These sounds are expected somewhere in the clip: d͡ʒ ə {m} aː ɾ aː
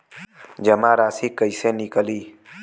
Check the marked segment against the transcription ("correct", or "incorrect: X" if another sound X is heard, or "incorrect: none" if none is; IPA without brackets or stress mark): correct